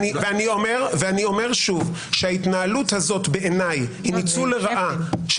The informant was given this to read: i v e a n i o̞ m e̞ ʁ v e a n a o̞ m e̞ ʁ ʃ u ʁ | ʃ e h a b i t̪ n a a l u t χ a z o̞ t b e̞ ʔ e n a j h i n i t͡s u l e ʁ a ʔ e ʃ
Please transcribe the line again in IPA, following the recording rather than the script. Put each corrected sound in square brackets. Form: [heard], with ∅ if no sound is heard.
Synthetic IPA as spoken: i v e a n i o̞ m e̞ ʁ v e a n [i] o̞ m e̞ ʁ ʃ u [v] | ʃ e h a [∅] i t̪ n a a l u t [h] a z o̞ t b e̞ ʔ e n a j h i n i t͡s u l e ʁ a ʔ [a] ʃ